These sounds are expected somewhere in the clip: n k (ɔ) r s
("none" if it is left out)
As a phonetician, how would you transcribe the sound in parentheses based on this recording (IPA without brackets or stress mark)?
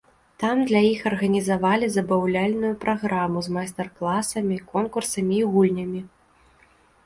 u